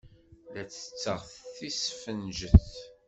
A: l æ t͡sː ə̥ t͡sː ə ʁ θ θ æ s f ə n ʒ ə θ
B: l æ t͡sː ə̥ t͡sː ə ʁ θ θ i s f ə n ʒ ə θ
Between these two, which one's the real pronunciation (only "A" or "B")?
B